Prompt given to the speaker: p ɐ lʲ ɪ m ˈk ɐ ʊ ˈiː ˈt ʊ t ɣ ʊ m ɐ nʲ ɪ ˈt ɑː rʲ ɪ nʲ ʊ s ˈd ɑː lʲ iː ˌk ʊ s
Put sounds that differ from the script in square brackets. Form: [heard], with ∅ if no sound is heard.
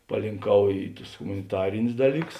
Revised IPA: p ɐ lʲ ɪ [ŋ] ˈk ɐ ʊ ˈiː ˈt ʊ [s] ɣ ʊ m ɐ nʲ ɪ ˈt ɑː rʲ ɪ nʲ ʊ s ˈd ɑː lʲ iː ˌk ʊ s